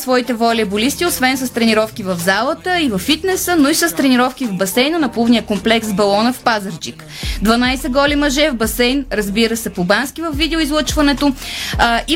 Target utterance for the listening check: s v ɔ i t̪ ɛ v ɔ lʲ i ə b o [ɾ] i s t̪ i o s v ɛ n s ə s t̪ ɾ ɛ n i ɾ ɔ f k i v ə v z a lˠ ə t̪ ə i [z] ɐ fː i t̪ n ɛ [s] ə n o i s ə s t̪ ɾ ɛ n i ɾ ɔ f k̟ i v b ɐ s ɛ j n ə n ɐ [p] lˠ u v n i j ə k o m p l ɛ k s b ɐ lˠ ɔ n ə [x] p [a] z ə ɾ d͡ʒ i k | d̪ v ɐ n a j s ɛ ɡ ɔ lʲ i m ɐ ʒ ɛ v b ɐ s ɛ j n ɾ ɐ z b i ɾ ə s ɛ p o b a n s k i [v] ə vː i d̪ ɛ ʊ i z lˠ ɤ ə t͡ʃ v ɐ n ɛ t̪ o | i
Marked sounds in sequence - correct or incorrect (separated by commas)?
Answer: incorrect, incorrect, correct, correct, incorrect, correct, correct